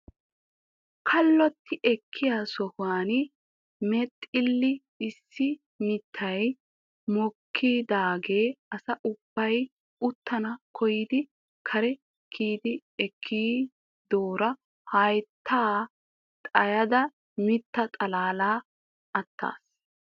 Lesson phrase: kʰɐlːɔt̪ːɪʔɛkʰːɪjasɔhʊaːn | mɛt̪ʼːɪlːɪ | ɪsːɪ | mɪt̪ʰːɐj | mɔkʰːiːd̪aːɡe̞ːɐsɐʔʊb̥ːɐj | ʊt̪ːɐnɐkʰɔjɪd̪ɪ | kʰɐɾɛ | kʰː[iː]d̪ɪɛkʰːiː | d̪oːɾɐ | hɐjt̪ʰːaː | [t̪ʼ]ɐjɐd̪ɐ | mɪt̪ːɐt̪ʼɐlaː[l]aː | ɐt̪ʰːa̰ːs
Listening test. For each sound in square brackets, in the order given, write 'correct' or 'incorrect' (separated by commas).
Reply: correct, correct, correct